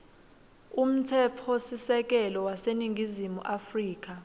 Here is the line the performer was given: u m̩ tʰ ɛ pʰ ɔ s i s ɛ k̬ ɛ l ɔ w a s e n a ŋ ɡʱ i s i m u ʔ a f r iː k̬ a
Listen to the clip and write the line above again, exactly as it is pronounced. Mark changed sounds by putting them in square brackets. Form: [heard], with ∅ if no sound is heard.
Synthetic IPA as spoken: u m̩ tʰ ɛ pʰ ɔ s i s ɛ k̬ ɛ l ɔ w a s e n [i] ŋ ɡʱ i [z] i m u ʔ a f r iː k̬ a